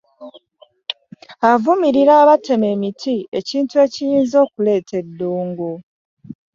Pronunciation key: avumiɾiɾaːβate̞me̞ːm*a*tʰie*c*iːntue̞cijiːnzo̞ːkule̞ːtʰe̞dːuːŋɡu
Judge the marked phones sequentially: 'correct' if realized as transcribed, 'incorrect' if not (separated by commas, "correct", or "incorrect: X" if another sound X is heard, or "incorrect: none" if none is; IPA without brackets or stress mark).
incorrect: i, correct